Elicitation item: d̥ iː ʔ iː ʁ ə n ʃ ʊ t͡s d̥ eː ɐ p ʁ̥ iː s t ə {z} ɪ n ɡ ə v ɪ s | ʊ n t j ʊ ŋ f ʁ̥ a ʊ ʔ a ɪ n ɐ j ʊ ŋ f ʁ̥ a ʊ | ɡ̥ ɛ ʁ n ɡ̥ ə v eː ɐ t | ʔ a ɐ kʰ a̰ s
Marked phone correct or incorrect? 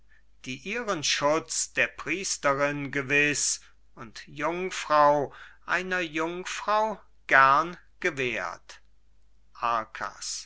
incorrect